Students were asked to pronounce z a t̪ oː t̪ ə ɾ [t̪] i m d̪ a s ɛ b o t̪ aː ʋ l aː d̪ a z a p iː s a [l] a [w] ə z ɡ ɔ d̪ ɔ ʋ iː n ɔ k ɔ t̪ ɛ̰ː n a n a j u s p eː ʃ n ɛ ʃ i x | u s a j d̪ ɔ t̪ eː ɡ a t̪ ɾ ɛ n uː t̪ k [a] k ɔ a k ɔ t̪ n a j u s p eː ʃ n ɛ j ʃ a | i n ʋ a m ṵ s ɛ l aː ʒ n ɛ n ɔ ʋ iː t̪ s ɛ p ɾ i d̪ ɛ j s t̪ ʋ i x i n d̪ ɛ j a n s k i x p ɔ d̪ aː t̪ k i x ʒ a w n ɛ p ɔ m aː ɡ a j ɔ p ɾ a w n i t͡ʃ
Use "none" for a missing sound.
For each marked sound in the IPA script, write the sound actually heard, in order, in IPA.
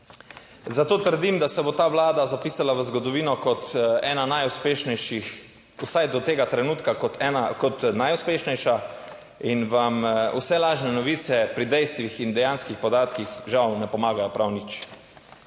d̪, l, ʋ, a

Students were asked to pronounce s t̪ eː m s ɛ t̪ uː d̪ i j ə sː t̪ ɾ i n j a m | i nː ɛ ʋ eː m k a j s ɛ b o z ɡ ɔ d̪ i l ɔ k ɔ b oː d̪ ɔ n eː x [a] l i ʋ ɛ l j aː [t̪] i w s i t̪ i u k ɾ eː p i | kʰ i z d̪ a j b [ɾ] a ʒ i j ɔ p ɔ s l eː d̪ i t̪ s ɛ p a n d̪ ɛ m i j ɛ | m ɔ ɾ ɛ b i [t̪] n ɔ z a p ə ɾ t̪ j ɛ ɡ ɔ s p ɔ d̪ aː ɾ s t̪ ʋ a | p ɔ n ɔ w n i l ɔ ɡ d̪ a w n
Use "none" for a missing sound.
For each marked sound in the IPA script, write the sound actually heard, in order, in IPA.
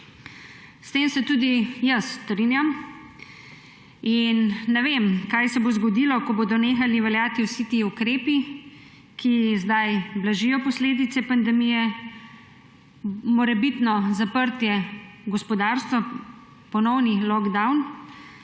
a, t̪, l, t̪

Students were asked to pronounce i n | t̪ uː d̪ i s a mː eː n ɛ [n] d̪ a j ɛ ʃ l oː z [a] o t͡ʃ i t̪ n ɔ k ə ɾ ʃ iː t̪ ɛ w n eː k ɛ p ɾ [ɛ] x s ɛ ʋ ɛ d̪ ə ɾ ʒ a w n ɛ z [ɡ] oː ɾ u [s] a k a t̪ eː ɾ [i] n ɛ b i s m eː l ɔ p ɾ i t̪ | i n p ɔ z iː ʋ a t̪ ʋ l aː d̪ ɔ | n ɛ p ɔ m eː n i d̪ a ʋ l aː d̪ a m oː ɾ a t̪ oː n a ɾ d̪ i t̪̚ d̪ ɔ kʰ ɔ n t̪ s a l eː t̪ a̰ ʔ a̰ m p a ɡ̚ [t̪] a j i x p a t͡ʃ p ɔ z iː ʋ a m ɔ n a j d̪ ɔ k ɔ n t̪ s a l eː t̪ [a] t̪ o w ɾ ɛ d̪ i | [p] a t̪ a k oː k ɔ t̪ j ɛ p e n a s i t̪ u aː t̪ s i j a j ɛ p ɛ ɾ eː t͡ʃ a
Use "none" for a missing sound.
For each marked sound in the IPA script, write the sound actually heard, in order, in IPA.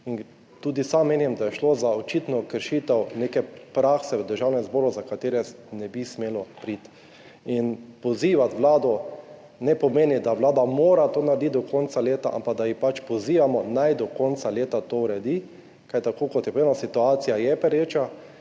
m, a, a, b, z, ɛ, d̪, a, k

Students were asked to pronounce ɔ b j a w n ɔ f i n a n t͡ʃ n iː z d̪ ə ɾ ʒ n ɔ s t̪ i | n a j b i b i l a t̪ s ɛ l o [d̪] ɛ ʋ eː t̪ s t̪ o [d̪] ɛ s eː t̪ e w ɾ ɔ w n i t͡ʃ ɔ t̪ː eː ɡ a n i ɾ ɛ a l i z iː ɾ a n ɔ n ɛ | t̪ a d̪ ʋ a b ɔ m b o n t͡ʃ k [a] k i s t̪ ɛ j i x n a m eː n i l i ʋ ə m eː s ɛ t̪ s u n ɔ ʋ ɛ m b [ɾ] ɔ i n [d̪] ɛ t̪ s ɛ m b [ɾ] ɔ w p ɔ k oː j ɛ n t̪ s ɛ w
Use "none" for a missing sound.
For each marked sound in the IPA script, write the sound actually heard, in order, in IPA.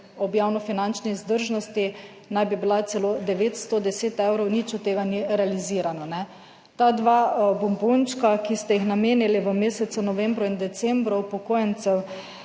d̪, d̪, a, ɾ, d̪, ɾ

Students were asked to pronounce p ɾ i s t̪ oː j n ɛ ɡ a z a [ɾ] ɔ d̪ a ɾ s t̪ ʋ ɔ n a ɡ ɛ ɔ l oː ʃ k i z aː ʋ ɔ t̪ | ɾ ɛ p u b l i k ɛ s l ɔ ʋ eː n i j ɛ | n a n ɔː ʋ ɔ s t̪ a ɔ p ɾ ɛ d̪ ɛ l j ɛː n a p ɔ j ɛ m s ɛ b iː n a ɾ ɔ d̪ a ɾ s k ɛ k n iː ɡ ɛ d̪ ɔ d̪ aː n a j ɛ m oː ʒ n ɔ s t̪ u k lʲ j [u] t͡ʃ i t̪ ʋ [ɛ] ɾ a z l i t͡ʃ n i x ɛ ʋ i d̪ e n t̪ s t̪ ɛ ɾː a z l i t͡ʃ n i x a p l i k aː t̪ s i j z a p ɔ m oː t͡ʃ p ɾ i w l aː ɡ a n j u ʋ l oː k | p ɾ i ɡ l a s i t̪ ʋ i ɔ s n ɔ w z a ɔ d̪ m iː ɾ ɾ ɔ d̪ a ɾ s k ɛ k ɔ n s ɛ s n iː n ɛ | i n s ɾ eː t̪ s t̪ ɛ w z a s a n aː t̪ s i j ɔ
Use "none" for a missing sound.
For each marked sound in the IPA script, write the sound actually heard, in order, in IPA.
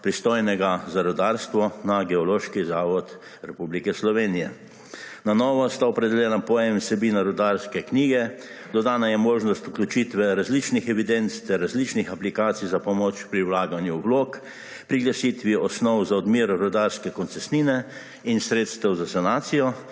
ɾ, u, ɛ

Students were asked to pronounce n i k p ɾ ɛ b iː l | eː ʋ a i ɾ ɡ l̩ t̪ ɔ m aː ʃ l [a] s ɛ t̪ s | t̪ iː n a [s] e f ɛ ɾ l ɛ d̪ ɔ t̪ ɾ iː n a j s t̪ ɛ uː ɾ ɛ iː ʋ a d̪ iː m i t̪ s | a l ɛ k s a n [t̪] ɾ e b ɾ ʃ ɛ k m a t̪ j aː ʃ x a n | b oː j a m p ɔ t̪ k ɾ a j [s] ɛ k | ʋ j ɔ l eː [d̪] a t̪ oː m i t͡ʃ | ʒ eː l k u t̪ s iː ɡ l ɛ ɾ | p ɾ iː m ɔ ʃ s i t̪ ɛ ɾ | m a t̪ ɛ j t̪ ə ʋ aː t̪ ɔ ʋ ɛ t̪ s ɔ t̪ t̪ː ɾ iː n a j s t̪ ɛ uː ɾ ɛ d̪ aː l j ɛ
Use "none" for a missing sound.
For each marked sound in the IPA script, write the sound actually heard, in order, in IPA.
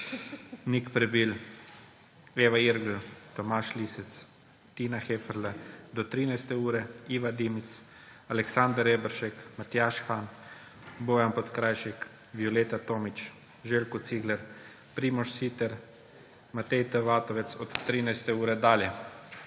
i, x, d̪, ʃ, t̪

